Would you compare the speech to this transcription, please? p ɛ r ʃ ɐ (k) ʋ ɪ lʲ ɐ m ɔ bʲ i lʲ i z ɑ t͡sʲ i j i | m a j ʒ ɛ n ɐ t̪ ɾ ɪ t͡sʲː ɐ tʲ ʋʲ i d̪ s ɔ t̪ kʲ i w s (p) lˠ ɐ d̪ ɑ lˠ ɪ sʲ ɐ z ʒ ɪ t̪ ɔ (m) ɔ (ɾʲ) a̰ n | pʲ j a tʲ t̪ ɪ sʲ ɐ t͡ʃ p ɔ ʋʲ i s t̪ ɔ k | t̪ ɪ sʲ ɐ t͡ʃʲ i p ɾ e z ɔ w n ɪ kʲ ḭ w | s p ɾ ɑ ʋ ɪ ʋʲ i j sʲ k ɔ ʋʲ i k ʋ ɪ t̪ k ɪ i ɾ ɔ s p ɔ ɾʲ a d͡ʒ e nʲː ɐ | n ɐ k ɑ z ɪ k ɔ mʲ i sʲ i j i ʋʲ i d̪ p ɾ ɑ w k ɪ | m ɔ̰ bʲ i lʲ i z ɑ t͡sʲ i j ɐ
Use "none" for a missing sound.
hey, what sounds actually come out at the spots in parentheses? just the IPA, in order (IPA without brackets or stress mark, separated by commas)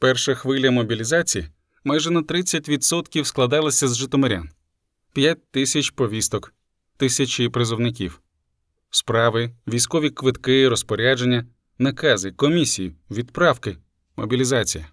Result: x, k, m, ɾʲ